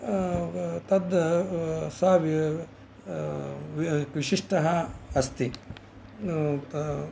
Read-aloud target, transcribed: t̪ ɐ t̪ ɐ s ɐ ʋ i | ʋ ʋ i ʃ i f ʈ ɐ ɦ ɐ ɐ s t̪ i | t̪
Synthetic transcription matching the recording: t̪ ɐ d̪ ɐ s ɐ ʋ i | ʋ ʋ i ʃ i ʂ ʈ ɐ ɦ ɐ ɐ s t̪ i | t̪